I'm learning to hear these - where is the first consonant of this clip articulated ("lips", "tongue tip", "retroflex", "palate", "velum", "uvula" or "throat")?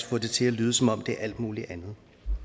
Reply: lips